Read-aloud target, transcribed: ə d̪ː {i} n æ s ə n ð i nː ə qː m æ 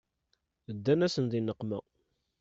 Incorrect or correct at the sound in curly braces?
incorrect: æ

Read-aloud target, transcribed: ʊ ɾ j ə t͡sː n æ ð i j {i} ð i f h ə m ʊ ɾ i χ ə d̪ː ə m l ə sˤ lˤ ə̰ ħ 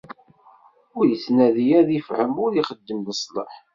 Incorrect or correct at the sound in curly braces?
incorrect: æ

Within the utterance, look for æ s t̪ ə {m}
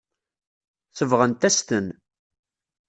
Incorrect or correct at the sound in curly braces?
incorrect: n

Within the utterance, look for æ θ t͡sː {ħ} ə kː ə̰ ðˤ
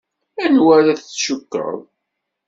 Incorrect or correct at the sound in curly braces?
incorrect: ʃ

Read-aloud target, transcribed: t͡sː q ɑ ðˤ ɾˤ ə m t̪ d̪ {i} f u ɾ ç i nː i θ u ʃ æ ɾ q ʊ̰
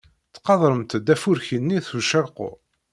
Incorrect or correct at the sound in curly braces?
incorrect: æ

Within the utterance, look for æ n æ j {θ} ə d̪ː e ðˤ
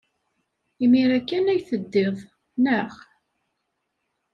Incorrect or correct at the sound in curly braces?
correct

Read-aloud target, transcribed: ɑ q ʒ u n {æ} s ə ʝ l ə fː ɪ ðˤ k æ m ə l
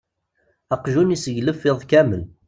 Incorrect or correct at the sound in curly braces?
incorrect: i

